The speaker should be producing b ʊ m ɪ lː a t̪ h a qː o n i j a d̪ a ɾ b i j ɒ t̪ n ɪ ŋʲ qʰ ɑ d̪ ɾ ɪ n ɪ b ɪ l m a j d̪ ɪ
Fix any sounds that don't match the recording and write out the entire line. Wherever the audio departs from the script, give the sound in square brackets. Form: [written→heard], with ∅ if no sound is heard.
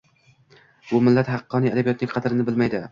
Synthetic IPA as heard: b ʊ m ɪ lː a t̪ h [a→ɑ] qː [o→ɒ] n i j a d̪ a [ɾ→∅] b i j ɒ t̪ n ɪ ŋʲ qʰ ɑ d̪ ɾ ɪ n ɪ b ɪ l m a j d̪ ɪ